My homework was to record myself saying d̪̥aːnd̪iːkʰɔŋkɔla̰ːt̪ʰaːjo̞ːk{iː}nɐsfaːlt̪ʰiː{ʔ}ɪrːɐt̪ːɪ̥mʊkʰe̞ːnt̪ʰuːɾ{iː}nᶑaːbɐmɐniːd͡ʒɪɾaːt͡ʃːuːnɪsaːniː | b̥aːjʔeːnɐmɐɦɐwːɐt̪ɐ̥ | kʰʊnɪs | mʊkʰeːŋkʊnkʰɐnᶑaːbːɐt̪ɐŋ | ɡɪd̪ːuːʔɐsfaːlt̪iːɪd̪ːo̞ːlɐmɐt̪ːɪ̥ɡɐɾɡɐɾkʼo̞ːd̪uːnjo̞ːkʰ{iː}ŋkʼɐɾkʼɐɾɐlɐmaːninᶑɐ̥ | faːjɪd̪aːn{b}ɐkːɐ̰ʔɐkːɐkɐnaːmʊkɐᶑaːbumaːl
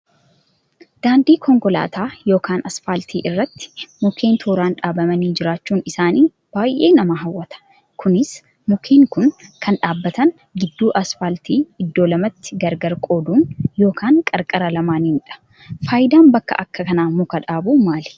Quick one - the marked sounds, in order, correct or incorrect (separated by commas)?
incorrect, correct, incorrect, incorrect, correct